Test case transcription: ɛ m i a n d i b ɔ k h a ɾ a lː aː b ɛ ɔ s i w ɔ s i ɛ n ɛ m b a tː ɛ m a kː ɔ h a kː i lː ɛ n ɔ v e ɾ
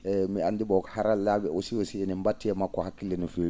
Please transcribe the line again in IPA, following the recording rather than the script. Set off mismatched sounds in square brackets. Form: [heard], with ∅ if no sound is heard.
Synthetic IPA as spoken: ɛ m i a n d i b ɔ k h a ɾ a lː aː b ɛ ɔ s i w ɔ s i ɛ n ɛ m b a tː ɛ m a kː ɔ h a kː i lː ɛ n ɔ [f] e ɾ